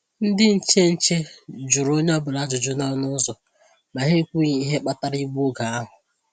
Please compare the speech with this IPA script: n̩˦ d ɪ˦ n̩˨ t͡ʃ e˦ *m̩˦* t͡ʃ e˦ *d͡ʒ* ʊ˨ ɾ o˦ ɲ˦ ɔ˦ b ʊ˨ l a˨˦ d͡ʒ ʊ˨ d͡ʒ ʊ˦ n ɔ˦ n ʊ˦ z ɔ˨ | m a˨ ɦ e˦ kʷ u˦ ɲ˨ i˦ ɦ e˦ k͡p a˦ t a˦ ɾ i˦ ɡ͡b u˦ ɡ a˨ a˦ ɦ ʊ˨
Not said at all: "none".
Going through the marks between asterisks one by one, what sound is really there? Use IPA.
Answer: n̩˦, d͡ʒ

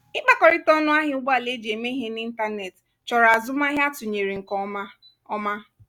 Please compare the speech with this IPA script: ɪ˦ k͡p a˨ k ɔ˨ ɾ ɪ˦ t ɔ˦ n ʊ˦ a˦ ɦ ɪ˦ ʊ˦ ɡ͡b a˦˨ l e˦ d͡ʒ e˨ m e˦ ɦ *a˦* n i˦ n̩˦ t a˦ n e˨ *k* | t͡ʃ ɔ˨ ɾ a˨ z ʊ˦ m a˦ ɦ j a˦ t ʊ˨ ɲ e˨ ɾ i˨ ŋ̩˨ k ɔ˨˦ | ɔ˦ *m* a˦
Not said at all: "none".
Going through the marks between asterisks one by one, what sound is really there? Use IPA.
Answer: e˦, t, m

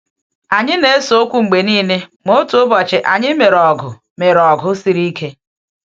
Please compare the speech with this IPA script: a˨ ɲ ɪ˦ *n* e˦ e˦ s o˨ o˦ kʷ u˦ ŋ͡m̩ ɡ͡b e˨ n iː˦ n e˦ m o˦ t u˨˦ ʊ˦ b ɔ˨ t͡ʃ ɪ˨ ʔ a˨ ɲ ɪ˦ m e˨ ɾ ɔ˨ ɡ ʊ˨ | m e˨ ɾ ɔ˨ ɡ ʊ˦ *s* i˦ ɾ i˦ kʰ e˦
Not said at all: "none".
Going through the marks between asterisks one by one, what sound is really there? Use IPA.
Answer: n, s

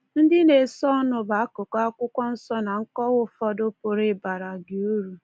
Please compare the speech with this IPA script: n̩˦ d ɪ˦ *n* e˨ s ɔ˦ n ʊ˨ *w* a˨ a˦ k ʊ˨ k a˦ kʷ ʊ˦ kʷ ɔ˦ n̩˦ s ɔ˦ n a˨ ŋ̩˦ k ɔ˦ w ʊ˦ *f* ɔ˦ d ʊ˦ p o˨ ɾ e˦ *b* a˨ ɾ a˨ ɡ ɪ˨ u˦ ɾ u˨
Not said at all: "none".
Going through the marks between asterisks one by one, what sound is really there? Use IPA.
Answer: n, b, f, b

